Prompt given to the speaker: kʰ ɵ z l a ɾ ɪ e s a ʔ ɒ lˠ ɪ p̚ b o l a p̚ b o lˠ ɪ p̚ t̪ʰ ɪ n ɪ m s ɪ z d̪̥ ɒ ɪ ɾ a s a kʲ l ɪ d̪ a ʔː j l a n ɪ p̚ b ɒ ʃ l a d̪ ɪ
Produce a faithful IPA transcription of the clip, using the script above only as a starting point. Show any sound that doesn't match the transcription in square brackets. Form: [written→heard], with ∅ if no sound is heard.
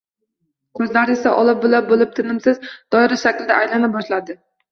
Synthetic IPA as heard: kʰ ɵ z l a ɾ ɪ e s a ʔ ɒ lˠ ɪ p̚ b o l a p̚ b o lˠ ɪ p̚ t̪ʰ ɪ n ɪ m s ɪ z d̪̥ ɒ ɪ ɾ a [s→ʃ] a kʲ l ɪ d̪ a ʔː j l a n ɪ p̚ b ɒ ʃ l a d̪ ɪ

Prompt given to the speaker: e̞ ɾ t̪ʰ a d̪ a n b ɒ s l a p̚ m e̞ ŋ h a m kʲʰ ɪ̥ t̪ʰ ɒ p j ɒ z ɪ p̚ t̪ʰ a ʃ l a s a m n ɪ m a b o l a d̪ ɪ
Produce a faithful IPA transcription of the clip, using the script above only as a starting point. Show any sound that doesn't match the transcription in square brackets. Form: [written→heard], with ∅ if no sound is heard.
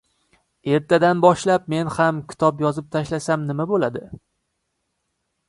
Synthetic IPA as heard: e̞ ɾ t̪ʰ a d̪ a n b ɒ [s→ʃ] l a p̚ m e̞ [ŋ→n] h a m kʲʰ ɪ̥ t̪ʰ ɒ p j ɒ z ɪ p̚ t̪ʰ a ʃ l a s a m n ɪ m a b o l a d̪ ɪ

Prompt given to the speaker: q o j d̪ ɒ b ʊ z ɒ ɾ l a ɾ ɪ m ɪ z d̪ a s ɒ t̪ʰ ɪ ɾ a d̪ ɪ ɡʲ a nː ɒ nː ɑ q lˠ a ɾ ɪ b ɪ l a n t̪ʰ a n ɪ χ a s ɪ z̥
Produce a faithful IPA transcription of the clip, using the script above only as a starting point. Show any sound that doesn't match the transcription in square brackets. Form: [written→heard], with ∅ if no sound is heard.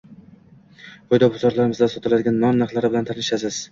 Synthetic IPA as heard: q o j d̪ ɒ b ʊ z ɒ ɾ l a ɾ ɪ m ɪ z d̪ a s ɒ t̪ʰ ɪ [ɾ→l] a d̪ ɪ ɡʲ a nː ɒ nː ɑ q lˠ a ɾ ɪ b ɪ l a n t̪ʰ a n ɪ [χ→ʃ] a s ɪ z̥

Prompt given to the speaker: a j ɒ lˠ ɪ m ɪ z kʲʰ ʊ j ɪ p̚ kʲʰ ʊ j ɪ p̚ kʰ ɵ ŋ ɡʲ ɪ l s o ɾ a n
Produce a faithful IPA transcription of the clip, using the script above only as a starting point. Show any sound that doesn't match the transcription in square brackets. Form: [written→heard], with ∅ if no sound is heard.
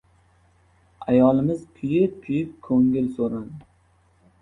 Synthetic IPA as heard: a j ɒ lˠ ɪ m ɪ z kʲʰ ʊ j ɪ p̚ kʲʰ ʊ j ɪ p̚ kʰ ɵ ŋ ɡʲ ɪ l s o ɾ a n

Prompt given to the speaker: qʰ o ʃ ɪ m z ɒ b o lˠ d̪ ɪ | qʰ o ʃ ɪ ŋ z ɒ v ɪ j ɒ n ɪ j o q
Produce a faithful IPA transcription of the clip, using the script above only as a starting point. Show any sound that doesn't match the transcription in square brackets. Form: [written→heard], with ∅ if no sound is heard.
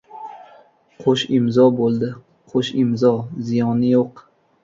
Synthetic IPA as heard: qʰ o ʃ ɪ m z ɒ b o lˠ d̪ ɪ | qʰ o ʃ ɪ [ŋ→m] z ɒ [v→z] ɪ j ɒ n ɪ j o q

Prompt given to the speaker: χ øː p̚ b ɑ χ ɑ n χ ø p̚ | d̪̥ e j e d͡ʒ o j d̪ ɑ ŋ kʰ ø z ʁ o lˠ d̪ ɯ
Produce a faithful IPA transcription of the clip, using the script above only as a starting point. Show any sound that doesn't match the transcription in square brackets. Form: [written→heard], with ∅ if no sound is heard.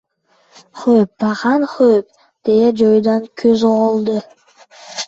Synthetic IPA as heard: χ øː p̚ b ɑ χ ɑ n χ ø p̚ | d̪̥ e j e d͡ʒ o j d̪ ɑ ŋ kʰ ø z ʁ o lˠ d̪ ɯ

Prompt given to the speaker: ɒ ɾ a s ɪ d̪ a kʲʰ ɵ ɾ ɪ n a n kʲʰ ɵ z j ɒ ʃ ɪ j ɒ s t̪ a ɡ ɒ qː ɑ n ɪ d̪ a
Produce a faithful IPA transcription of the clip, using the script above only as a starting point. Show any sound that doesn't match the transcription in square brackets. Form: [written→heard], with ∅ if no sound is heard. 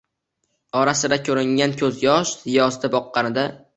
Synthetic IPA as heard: ɒ ɾ a s ɪ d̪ a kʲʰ ɵ ɾ ɪ [n→ŋ] a n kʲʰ ɵ z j ɒ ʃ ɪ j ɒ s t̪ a [ɡ→b] ɒ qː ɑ n ɪ d̪ a

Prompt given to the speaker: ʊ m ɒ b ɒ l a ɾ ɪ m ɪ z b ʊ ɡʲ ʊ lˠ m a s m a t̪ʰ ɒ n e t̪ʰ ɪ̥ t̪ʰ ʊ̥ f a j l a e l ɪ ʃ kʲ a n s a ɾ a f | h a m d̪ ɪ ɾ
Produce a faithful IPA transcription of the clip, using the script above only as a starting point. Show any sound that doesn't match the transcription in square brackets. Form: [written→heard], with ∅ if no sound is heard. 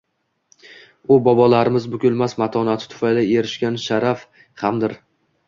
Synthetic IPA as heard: ʊ [m→b] ɒ b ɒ l a ɾ ɪ m ɪ z b ʊ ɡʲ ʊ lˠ m a s m a t̪ʰ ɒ n [e→a] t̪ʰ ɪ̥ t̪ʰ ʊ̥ f a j l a e [l→ɾ] ɪ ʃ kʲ a n [s→ʃ] a ɾ a f | h a m d̪ ɪ ɾ

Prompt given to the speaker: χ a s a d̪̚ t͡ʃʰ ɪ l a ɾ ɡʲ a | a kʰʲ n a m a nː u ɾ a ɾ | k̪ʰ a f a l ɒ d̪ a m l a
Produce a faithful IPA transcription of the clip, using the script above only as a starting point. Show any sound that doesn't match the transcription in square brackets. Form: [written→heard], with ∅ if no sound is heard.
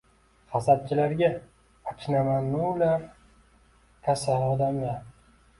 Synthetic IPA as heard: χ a s a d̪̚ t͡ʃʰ ɪ l a ɾ ɡʲ a | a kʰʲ n a m a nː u [ɾ→l] a ɾ | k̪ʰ a [f→s] a l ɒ d̪ a m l a

